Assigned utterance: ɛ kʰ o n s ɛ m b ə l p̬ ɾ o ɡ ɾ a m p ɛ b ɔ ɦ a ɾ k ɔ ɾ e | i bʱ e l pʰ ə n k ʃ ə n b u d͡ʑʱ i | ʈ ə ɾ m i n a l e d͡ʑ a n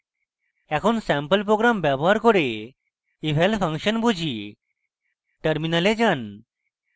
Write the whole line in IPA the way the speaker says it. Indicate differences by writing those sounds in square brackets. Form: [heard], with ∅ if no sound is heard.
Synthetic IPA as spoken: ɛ kʰ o n s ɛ m [p] ə l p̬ ɾ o ɡ ɾ a m [b] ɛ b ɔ ɦ a ɾ k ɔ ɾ e | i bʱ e l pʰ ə [ŋ] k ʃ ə n b u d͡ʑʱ i | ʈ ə ɾ m i n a l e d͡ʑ a n